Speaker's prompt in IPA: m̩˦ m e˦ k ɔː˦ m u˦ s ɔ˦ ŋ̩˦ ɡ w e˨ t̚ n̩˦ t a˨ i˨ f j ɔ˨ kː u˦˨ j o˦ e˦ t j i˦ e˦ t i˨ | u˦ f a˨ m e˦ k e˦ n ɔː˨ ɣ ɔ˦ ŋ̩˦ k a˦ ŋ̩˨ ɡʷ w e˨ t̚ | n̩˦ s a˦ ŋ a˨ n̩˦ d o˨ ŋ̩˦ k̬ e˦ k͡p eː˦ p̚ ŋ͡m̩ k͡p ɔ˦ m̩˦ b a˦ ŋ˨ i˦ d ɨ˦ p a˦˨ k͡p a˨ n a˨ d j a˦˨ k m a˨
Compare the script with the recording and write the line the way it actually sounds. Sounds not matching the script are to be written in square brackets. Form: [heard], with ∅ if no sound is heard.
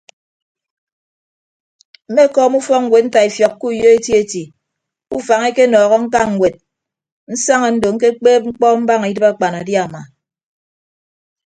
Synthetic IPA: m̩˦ m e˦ k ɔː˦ m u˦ [f] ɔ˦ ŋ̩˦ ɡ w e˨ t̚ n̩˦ t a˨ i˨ f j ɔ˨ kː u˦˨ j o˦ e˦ t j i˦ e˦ t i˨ | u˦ f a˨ [ŋ] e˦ k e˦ n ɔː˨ ɣ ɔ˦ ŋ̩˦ k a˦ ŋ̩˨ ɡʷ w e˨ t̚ | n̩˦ s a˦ ŋ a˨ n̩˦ d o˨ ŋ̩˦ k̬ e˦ k͡p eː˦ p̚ ŋ͡m̩ k͡p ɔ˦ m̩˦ b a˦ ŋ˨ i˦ d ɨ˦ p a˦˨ k͡p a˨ n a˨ d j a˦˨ [∅] m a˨